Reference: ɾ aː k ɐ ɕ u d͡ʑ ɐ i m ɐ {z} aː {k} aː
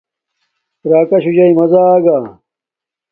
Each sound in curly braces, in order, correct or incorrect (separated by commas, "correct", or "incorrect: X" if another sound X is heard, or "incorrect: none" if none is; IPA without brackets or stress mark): correct, incorrect: ɡ